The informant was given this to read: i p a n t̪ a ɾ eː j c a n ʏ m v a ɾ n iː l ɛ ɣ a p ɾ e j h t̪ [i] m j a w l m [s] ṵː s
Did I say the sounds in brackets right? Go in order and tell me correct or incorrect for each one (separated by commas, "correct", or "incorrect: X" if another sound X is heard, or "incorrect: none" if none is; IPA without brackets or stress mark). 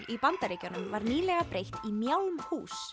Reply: correct, incorrect: h